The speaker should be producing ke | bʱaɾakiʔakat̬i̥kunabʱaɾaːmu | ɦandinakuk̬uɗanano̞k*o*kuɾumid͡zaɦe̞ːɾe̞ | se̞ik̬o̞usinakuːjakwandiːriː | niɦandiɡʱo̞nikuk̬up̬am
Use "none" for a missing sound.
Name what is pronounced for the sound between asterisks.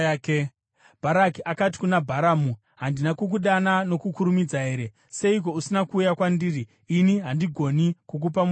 u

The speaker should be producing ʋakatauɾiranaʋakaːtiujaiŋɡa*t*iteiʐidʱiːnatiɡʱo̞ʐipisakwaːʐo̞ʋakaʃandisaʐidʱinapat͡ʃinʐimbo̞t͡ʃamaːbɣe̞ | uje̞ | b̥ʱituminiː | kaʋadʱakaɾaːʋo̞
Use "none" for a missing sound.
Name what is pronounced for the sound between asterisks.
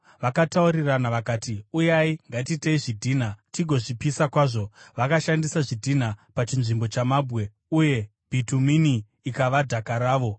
t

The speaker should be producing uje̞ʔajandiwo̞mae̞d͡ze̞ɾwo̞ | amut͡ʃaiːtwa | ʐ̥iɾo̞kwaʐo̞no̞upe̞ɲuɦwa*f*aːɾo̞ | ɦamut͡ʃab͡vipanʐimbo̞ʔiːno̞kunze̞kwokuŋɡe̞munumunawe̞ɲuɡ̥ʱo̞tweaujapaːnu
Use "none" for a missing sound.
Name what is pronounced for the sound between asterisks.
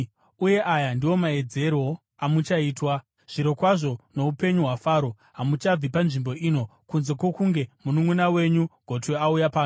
f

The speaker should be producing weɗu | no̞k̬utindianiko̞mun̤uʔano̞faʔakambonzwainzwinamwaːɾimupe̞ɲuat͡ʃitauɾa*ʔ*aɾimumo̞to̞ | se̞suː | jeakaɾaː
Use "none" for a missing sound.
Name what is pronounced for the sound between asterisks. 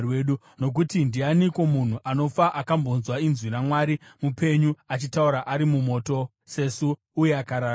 ʔ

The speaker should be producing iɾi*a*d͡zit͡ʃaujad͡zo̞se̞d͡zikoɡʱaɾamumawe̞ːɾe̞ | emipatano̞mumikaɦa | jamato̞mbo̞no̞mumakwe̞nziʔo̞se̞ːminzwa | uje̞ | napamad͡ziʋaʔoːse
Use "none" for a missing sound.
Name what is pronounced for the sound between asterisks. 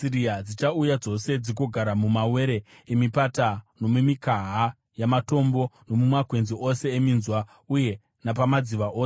a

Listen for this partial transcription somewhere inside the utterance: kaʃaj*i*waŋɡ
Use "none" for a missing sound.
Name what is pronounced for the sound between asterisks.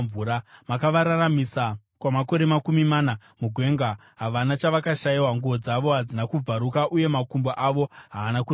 i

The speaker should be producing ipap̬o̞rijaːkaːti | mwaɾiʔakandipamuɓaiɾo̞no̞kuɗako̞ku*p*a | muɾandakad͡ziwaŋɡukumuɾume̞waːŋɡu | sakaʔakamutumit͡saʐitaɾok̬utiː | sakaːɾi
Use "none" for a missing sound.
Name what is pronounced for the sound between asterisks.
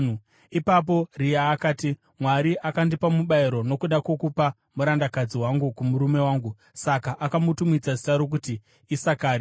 p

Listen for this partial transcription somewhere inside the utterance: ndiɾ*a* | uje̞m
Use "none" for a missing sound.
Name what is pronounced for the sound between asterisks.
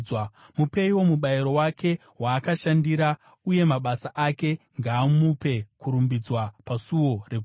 a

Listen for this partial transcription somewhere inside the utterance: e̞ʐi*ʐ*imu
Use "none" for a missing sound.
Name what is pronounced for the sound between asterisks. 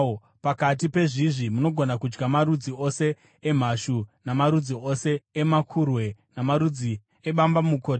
ʐ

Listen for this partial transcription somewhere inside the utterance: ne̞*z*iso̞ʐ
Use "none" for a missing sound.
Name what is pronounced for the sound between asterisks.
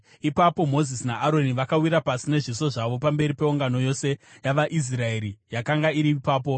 ʐ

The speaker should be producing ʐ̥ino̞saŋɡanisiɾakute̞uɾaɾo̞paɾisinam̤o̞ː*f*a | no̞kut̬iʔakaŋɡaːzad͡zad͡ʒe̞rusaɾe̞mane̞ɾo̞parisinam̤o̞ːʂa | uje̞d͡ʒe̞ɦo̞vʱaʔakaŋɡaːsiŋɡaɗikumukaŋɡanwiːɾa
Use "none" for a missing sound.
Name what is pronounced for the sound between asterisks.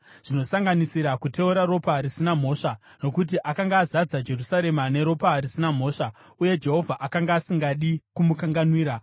ʂ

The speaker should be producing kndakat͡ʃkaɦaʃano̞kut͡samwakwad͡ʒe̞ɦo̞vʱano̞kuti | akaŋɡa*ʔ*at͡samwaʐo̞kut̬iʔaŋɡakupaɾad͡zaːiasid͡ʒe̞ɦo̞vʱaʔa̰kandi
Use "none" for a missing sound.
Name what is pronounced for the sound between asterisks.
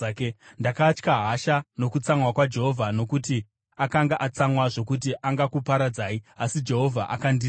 ʔ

